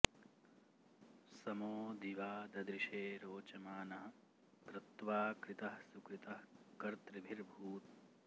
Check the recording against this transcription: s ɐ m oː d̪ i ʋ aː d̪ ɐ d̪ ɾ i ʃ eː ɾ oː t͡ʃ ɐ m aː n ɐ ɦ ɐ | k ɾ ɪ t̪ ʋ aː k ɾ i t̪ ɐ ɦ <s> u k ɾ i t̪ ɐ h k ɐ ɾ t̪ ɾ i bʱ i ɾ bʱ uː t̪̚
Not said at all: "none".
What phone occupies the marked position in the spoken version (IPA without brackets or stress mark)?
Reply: s